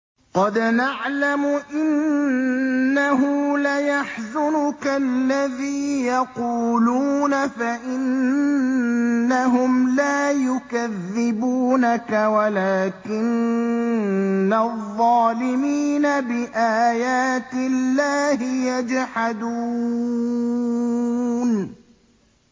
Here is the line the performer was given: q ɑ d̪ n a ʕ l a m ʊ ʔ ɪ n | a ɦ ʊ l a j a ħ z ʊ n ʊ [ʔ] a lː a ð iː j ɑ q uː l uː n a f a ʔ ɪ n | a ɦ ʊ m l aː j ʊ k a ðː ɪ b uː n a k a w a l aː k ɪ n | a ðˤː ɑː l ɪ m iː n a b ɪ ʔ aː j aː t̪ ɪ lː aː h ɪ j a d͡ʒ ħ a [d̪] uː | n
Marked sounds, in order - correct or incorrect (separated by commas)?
incorrect, correct